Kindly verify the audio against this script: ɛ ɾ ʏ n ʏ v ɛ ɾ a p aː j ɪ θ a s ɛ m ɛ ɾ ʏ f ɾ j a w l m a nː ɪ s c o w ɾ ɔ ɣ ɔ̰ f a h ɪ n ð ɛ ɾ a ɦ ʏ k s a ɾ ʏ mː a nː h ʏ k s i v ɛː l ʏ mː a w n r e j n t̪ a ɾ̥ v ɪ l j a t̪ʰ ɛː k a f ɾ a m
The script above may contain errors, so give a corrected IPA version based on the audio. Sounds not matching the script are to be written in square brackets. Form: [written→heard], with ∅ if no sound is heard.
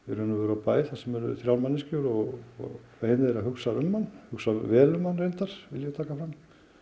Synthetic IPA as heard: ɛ ɾ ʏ n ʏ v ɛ ɾ a p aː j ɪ θ a s ɛ m ɛ ɾ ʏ [f→θ] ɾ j a w l m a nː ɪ s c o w ɾ ɔ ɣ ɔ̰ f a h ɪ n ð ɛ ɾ a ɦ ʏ k s a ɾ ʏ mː a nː h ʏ k s [i→a] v ɛː l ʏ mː a [w→∅] n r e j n t̪ a ɾ̥ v ɪ l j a t̪ʰ [ɛː→aː] k a f ɾ a m